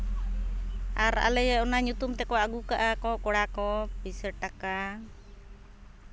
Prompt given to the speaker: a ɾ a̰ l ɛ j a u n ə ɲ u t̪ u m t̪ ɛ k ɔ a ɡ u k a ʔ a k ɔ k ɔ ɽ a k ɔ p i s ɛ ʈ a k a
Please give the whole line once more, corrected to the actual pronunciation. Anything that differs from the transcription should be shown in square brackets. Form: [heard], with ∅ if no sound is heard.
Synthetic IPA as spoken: a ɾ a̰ l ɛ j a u n [a] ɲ u t̪ u m t̪ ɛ k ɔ a ɡ u k a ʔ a k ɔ k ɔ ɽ a k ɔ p i s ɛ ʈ a k a